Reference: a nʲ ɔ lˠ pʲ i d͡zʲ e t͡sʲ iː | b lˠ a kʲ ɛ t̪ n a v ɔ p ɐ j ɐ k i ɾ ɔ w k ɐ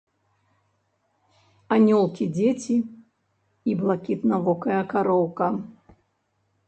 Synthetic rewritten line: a nʲ ɔ lˠ kʲ i d͡zʲ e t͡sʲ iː | b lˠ a kʲ i t̪ n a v ɔ k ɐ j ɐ k a ɾ ɔ w k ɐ